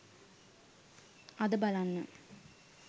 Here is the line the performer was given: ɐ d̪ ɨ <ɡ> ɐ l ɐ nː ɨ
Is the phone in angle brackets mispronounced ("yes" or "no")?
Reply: yes